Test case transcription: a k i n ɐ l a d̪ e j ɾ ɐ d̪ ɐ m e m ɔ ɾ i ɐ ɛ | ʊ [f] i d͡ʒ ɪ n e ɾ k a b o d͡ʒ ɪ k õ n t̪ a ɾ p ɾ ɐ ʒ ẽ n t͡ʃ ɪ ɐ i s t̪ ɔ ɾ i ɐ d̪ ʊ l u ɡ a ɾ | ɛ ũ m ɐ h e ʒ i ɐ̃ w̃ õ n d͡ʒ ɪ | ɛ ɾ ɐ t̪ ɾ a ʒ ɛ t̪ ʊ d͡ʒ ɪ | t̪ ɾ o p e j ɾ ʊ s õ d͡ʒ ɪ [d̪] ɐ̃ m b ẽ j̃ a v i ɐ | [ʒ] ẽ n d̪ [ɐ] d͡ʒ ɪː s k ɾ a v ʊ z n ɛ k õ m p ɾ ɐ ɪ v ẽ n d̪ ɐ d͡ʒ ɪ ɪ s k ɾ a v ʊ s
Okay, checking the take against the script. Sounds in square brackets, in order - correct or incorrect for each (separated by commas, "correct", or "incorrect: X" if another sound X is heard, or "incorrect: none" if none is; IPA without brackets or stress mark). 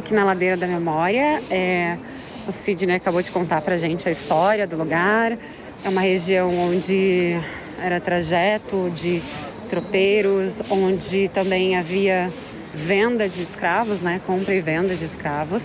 incorrect: s, incorrect: t̪, incorrect: v, correct